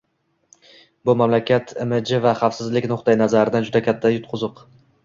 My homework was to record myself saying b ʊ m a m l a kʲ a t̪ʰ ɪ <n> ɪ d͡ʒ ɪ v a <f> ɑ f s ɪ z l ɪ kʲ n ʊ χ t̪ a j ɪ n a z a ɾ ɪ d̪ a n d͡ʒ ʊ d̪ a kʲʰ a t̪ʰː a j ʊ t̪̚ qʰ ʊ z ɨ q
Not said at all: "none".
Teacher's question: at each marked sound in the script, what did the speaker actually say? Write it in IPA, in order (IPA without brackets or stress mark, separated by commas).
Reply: m, χ